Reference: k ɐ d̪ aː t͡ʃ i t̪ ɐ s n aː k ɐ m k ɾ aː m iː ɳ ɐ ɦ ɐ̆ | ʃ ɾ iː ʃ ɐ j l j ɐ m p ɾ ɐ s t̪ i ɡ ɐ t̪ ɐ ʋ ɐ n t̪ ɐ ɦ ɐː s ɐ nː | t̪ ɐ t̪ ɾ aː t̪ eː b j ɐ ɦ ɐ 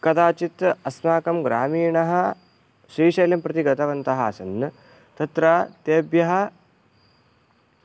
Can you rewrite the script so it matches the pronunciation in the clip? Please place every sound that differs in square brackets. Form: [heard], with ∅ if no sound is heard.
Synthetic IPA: k ɐ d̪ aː t͡ʃ i t̪ ɐ s n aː k ɐ m [ɡ] ɾ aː m iː ɳ ɐ ɦ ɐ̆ | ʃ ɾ iː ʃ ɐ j l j ɐ m p ɾ ɐ [∅] t̪ i ɡ ɐ t̪ ɐ ʋ ɐ n t̪ ɐ ɦ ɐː s ɐ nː | t̪ ɐ t̪ ɾ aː t̪ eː b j ɐ ɦ ɐ

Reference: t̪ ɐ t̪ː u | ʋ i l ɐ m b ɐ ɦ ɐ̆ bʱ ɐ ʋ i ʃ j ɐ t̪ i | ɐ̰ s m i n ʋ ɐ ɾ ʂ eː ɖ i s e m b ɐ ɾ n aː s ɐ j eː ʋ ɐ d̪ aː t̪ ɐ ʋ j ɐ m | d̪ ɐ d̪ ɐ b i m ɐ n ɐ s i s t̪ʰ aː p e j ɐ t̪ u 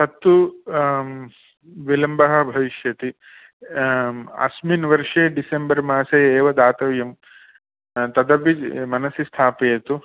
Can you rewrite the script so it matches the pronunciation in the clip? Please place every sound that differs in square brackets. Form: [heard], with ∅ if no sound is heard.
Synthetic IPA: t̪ ɐ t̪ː u | ʋ i l ɐ m b ɐ ɦ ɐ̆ bʱ ɐ ʋ i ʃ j ɐ t̪ i | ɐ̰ s m i n ʋ ɐ ɾ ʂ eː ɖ i s e m b ɐ ɾ [m] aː s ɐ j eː ʋ ɐ d̪ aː t̪ ɐ ʋ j ɐ m | [t̪] ɐ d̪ ɐ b i m ɐ n ɐ s i s t̪ʰ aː p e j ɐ t̪ u

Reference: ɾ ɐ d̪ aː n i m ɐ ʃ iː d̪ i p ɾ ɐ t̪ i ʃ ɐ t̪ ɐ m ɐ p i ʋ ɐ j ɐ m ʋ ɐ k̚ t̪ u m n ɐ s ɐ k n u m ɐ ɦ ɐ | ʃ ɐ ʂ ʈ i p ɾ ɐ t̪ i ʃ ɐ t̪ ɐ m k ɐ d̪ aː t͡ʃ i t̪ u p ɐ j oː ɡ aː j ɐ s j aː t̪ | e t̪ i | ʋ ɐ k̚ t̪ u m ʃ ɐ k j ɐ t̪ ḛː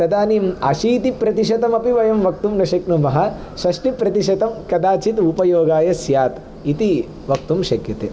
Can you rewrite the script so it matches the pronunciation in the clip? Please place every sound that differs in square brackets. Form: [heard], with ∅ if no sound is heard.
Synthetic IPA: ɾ ɐ d̪ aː n i m ɐ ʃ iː [t̪] i p ɾ ɐ t̪ i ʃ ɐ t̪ ɐ m ɐ p i ʋ ɐ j ɐ m ʋ ɐ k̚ t̪ u m n ɐ [ʃ] ɐ k n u m ɐ ɦ ɐ | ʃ ɐ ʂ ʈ i p ɾ ɐ t̪ i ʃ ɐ t̪ ɐ m k ɐ d̪ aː t͡ʃ i t̪ u p ɐ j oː ɡ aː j ɐ s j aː t̪ | [i] t̪ i | ʋ ɐ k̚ t̪ u m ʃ ɐ k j ɐ t̪ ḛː

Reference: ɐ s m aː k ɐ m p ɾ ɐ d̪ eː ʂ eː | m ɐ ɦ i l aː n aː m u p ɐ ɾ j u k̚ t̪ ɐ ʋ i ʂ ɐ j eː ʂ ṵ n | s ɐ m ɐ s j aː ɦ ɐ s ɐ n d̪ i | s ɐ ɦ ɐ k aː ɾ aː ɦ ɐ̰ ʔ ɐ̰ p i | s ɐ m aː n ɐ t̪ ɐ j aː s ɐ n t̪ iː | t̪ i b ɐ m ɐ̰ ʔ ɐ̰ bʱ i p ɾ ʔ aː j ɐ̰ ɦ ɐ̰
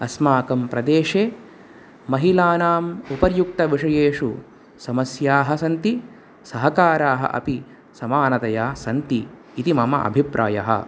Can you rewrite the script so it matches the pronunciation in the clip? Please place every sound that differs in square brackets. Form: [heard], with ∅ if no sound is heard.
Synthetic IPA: ɐ s m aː k ɐ m p ɾ ɐ d̪ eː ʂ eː | m ɐ ɦ i l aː n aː m u p ɐ ɾ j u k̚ t̪ ɐ ʋ i ʂ ɐ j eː ʂ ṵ [∅] | s ɐ m ɐ s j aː ɦ ɐ s ɐ n [t̪] i | s ɐ ɦ ɐ k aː ɾ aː ɦ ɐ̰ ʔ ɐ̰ p i | s ɐ m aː n ɐ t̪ ɐ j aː s ɐ n t̪ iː | t̪ i [m] ɐ m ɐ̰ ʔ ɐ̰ bʱ i p ɾ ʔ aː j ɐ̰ ɦ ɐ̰

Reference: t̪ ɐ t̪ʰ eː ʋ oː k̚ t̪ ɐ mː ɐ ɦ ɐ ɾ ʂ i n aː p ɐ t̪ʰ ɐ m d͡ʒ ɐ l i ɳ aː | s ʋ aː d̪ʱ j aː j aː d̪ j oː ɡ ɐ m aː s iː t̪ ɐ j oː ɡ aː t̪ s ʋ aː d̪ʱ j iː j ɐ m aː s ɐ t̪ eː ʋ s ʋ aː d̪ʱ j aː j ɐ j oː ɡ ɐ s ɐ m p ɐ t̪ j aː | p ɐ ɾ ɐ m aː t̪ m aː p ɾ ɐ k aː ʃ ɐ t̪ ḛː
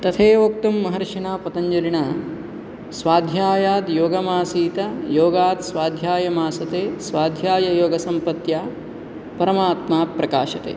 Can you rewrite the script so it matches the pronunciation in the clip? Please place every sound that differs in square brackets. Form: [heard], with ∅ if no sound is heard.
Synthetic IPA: t̪ ɐ t̪ʰ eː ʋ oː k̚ t̪ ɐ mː ɐ ɦ ɐ ɾ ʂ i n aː p ɐ [t̪] ɐ [ɲ] d͡ʒ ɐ l i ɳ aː | s ʋ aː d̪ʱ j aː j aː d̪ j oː ɡ ɐ m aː s iː t̪ ɐ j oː ɡ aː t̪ s ʋ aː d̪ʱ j [aː] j ɐ m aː s ɐ t̪ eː [∅] s ʋ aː d̪ʱ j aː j ɐ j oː ɡ ɐ s ɐ m p ɐ t̪ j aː | p ɐ ɾ ɐ m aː t̪ m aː p ɾ ɐ k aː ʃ ɐ t̪ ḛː

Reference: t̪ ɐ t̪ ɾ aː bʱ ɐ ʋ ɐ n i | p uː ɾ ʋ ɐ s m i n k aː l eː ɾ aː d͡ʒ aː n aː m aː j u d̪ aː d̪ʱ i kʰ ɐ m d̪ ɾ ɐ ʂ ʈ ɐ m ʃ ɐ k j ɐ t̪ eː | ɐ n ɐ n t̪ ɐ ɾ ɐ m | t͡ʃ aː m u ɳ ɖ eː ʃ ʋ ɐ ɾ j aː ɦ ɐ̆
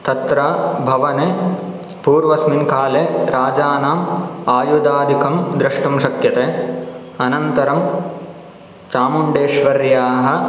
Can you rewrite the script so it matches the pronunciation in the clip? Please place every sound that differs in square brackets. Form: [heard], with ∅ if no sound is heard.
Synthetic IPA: t̪ ɐ t̪ ɾ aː bʱ ɐ ʋ ɐ n [e] | p uː ɾ ʋ ɐ s m i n k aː l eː ɾ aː d͡ʒ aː n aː m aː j u d̪ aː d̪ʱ i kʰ ɐ m d̪ ɾ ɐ ʂ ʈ ɐ m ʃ ɐ k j ɐ t̪ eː | ɐ n ɐ n t̪ ɐ ɾ ɐ m | t͡ʃ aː m u ɳ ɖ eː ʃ ʋ ɐ ɾ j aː ɦ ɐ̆

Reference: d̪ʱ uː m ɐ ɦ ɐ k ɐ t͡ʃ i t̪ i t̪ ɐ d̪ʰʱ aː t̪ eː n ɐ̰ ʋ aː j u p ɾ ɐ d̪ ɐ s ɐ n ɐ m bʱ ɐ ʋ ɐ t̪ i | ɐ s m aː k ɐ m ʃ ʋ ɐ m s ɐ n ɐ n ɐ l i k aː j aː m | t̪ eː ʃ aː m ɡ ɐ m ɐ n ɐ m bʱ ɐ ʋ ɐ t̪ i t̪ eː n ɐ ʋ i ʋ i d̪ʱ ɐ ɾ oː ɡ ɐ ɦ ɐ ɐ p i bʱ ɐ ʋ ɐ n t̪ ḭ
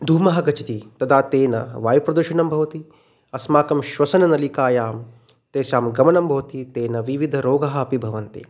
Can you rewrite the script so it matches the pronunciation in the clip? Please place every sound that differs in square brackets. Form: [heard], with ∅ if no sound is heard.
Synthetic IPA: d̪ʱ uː m ɐ ɦ ɐ [ɡ] ɐ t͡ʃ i t̪ i t̪ ɐ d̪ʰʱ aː t̪ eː n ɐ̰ ʋ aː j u p ɾ ɐ d̪ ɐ [ʃ] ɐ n ɐ m bʱ ɐ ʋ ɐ t̪ i | ɐ s m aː k ɐ m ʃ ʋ ɐ [∅] s ɐ n ɐ n ɐ l i k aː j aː m | t̪ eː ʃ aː m ɡ ɐ m ɐ n ɐ m bʱ ɐ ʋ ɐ t̪ i t̪ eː n ɐ ʋ i ʋ i d̪ʱ ɐ ɾ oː ɡ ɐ ɦ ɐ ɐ p i bʱ ɐ ʋ ɐ n t̪ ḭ

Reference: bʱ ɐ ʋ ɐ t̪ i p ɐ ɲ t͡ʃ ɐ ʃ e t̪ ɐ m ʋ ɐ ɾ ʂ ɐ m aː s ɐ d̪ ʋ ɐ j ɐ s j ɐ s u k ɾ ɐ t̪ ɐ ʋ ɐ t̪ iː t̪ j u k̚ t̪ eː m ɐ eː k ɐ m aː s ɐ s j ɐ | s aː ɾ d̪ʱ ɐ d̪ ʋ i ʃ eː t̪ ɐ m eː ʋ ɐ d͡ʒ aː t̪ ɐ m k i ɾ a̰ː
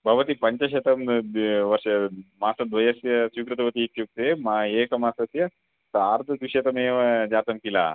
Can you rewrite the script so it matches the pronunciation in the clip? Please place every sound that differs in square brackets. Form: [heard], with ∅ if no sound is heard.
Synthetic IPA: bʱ ɐ ʋ ɐ t̪ i p ɐ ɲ t͡ʃ ɐ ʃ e t̪ ɐ m ʋ ɐ ɾ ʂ ɐ m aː s ɐ d̪ ʋ ɐ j ɐ s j ɐ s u k ɾ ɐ t̪ ɐ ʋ ɐ t̪ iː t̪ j u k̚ t̪ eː m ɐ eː k ɐ m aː s ɐ s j ɐ | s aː ɾ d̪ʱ ɐ d̪ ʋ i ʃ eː t̪ ɐ m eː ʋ ɐ d͡ʒ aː t̪ ɐ m k i [l] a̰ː

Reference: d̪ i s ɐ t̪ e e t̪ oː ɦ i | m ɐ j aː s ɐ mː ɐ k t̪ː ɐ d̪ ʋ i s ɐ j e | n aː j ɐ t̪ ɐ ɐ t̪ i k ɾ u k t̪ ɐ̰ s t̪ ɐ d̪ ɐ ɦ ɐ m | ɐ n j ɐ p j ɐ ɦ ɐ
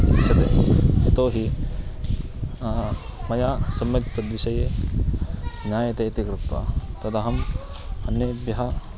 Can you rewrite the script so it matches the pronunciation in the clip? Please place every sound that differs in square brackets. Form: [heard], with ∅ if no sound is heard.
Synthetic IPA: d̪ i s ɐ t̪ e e t̪ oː ɦ i | m ɐ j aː s ɐ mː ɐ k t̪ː ɐ d̪ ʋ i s ɐ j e | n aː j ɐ t̪ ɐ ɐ t̪ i k ɾ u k t̪ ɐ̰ [∅] t̪ ɐ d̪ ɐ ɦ ɐ m | ɐ n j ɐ [b] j ɐ ɦ ɐ

